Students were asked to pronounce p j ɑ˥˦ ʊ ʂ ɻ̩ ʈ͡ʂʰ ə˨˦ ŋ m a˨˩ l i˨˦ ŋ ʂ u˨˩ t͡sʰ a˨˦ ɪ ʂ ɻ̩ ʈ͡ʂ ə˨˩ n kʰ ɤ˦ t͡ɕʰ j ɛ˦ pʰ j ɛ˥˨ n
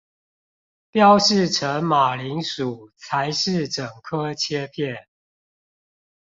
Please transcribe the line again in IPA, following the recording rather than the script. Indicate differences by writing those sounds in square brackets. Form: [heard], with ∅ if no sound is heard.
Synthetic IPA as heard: p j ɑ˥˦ ʊ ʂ ɻ̩ ʈ͡ʂʰ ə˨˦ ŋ m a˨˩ l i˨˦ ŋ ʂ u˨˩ t͡sʰ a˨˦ ɪ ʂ ɻ̩ ʈ͡ʂ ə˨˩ [ŋ] kʰ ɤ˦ t͡ɕʰ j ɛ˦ pʰ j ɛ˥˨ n